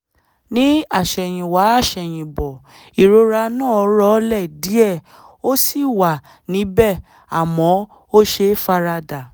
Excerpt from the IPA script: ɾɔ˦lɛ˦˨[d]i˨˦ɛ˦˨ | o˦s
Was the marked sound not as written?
no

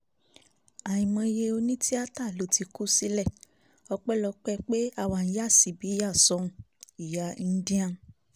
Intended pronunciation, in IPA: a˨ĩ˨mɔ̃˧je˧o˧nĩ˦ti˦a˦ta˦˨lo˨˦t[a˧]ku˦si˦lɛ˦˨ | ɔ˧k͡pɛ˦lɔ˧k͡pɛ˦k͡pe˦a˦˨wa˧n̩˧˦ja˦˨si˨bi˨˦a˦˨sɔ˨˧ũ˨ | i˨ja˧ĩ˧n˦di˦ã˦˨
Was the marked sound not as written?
yes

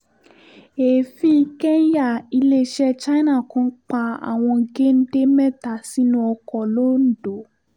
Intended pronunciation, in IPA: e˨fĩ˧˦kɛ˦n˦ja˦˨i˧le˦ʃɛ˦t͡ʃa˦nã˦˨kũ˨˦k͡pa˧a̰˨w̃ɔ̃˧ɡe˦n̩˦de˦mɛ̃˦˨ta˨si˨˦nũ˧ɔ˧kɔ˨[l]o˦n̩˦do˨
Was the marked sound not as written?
no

